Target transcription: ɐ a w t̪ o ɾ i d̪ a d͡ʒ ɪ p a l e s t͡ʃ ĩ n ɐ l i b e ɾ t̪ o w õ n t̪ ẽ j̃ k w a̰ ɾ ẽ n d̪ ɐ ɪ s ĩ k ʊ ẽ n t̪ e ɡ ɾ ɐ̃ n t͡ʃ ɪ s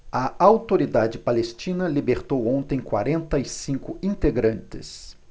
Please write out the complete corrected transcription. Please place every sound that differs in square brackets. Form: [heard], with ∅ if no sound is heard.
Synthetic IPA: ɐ a w t̪ o ɾ i d̪ a d͡ʒ ɪ p a l e s t͡ʃ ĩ n ɐ l i b e ɾ t̪ o w õ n t̪ ẽ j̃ k w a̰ ɾ ẽ n [t̪] ɐ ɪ s ĩ k ʊ [ĩ] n t̪ e ɡ ɾ ɐ̃ n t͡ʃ ɪ s